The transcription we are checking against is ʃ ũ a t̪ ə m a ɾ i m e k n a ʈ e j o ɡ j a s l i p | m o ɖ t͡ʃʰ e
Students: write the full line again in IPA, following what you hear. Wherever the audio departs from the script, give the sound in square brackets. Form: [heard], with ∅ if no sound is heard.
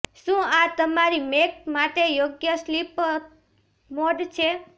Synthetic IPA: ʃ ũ a t̪ ə m a ɾ i m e k [m] a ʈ e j o ɡ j [ə] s l i p | m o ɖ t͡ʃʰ e